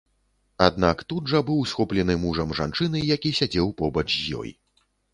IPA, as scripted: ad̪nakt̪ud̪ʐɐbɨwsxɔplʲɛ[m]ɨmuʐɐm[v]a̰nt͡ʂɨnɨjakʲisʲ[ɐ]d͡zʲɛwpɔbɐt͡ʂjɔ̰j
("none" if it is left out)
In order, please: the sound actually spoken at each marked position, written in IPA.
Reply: n, ʐ, a

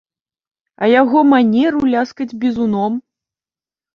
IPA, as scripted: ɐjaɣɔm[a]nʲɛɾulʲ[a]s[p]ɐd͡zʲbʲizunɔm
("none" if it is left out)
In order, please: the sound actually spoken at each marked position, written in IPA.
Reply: a, a, k

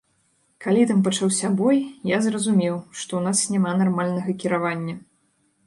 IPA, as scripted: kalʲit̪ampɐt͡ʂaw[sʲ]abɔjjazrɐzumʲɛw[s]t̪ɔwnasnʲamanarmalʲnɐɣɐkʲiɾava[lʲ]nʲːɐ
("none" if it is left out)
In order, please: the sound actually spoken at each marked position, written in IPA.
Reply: sʲ, ʂ, none

